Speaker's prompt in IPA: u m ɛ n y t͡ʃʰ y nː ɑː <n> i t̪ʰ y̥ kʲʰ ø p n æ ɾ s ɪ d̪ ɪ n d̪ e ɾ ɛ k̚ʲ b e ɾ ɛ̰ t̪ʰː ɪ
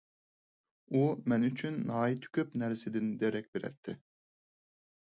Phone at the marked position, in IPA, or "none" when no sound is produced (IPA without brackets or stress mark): none